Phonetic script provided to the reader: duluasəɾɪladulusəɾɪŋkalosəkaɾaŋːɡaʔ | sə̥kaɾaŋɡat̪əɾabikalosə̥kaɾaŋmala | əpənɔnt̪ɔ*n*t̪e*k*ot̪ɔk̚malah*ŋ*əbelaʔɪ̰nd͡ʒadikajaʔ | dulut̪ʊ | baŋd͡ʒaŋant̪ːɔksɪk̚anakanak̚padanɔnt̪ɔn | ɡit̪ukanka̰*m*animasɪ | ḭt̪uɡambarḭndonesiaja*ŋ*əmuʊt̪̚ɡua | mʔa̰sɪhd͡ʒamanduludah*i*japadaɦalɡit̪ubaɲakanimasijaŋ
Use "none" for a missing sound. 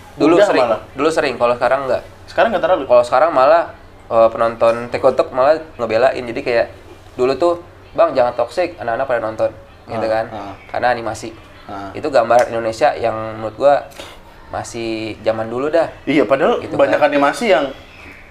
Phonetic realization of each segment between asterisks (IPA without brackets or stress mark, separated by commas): n, k, ŋ, n, ŋ, i